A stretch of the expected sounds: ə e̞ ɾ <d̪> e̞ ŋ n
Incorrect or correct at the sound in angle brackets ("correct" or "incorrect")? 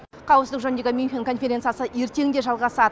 incorrect